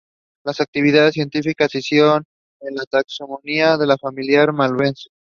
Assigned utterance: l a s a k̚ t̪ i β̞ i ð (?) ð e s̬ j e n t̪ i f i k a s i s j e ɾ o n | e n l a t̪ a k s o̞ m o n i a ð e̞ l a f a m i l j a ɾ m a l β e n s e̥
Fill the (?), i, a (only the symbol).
a